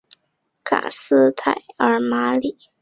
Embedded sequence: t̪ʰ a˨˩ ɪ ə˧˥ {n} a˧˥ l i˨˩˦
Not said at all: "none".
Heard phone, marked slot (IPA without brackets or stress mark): m